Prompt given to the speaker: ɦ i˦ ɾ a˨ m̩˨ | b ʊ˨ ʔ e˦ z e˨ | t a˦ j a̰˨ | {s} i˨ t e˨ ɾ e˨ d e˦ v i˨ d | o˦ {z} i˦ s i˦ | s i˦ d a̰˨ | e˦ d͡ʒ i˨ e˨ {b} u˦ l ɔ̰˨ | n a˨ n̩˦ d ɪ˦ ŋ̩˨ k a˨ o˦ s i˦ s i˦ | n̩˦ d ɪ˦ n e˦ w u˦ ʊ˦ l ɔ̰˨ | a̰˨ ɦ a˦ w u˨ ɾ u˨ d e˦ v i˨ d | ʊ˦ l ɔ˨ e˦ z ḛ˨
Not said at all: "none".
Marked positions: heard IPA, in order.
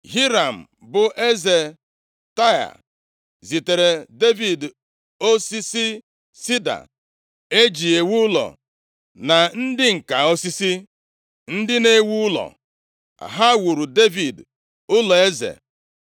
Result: z, s, w

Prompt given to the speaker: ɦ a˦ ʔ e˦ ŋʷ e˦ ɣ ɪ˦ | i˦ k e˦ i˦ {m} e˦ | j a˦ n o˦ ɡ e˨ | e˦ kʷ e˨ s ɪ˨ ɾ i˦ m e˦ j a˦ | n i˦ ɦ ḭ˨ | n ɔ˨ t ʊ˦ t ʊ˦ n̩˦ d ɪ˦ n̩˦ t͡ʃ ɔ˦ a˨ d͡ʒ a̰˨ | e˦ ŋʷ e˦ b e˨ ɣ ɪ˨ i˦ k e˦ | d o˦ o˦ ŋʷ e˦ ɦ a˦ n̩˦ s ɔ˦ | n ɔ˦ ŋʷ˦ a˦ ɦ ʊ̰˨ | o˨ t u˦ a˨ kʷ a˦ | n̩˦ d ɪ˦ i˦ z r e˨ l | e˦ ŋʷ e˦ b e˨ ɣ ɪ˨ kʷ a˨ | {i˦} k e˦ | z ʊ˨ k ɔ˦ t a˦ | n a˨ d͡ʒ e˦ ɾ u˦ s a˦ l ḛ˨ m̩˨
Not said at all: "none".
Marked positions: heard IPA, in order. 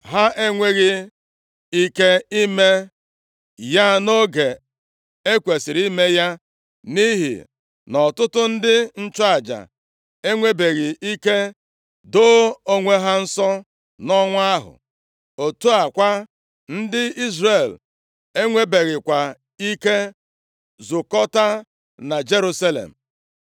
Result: m, i˦

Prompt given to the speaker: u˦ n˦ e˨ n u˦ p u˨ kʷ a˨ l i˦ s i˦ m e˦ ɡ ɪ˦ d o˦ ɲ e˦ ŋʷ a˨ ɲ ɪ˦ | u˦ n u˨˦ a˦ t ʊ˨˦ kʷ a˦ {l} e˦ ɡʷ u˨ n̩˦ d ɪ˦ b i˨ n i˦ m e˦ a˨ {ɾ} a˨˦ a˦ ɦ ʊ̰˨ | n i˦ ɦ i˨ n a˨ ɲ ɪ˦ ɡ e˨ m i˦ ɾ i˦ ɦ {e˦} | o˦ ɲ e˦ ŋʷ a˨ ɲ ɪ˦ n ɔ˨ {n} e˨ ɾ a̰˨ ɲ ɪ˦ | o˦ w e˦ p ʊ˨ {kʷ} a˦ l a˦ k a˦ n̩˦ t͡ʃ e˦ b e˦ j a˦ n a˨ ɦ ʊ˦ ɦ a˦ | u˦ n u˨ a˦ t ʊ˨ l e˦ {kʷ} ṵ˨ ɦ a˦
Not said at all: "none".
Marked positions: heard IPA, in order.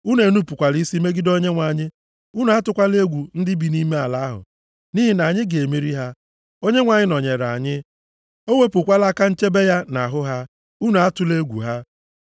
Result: l, l, a˦, ɲ, kʷ, ɡʷ

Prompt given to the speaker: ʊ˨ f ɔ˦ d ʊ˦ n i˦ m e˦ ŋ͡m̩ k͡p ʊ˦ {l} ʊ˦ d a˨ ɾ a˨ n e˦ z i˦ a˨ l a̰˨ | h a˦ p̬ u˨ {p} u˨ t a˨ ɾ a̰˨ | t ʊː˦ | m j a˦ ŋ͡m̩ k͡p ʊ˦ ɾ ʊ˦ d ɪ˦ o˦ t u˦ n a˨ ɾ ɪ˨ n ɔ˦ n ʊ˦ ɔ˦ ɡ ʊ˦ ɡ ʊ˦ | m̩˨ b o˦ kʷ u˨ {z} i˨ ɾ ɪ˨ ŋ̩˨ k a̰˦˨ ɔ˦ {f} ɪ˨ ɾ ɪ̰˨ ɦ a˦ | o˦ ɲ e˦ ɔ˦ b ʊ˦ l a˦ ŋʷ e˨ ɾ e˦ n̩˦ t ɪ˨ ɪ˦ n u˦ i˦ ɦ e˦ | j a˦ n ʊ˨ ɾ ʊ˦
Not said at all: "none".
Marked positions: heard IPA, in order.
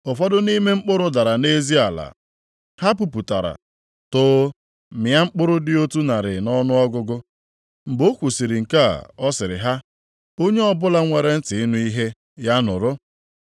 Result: ɾ, p, s, s

